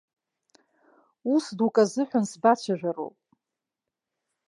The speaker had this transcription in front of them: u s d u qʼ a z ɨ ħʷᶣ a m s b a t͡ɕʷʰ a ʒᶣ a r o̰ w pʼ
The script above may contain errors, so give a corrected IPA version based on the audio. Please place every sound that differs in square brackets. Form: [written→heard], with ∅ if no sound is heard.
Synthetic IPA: u s d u [qʼ→kʼ] a z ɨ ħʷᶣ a [m→n] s b a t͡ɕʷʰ a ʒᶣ a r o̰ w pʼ